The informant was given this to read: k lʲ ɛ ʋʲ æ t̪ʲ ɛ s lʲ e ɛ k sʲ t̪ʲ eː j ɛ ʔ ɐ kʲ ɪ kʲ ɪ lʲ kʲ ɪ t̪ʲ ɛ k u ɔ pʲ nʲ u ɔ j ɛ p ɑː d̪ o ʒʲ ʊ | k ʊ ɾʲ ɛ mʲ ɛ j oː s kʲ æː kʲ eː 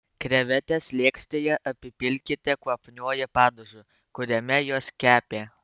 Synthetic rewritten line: k ɾʲ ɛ ʋʲ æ t̪ʲ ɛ s lʲ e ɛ k sʲ t̪ʲ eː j ɛ ʔ ɐ pʲ ɪ pʲ ɪ lʲ kʲ ɪ t̪ʲ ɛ k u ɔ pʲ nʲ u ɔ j ɛ p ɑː d̪ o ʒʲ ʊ | k ʊ ɾʲ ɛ mʲ ɛ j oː s kʲ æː pʲ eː